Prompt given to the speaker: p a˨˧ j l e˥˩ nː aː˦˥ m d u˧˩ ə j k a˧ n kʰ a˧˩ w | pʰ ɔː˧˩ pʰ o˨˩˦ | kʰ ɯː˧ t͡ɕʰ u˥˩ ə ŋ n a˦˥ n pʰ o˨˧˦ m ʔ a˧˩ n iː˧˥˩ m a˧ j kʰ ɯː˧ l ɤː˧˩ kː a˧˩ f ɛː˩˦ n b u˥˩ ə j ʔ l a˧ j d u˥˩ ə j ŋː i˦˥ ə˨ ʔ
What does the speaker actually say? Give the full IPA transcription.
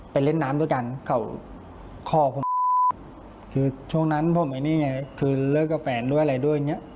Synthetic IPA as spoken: p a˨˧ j l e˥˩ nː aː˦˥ m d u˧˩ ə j k a˧ n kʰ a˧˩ w | kʰ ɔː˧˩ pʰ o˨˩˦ | kʰ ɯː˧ t͡ɕʰ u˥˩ ə ŋ n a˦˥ n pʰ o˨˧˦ m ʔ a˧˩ n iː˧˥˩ ŋ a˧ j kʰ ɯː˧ l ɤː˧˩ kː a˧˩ f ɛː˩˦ n d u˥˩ ə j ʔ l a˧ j d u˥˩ ə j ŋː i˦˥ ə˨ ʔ

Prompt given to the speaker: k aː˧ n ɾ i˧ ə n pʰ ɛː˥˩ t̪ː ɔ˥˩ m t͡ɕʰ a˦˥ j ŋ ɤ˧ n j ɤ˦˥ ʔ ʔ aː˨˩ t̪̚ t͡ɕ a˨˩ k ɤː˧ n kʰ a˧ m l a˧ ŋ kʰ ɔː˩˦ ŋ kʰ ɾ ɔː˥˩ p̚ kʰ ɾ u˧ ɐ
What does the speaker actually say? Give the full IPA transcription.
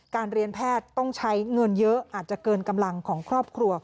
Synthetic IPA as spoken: k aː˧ n ɾ i˧ ə n pʰ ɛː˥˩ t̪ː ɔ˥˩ ŋ t͡ɕʰ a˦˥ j ŋ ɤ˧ n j ɤ˦˥ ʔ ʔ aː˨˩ t̪̚ t͡ɕ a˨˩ k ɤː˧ n k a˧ m l a˧ ŋ kʰ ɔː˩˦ ŋ kʰ ɾ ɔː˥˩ p̚ kʰ ɾ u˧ ɐ

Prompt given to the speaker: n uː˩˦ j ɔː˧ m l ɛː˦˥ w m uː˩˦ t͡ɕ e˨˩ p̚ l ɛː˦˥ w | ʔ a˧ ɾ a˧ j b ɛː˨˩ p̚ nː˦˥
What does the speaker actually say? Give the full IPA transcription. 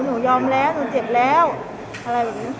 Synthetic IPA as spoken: n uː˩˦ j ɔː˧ m l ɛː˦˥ w n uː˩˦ t͡ɕ e˨˩ p̚ l ɛː˦˥ w | ʔ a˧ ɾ a˧ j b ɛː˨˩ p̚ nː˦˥

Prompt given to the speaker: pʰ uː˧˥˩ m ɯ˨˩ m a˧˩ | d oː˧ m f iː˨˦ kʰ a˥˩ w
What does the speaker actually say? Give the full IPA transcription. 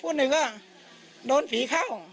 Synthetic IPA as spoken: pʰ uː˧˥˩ n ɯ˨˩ ŋ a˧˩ | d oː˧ n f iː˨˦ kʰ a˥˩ w

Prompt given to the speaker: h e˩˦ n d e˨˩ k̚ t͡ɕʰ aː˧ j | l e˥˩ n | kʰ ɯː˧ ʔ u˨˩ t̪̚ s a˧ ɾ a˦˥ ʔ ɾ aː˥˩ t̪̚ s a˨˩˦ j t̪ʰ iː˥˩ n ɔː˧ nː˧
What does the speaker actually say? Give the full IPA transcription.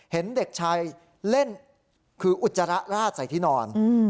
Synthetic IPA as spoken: h e˩˦ n d e˨˩ k̚ t͡ɕʰ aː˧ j | l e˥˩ n | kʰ ɯː˧ ʔ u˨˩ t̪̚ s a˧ ɾ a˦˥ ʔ ɾ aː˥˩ t̪̚ s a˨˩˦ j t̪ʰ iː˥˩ n ɔː˧ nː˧

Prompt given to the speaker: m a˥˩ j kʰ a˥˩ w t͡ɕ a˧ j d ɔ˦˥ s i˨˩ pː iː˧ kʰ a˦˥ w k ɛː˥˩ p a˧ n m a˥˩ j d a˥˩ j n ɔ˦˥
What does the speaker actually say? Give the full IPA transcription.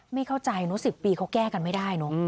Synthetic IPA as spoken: m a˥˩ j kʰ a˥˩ w t͡ɕ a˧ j n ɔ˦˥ s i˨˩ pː iː˧ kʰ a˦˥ w k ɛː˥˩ k a˧ n m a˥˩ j d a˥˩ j n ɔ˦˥

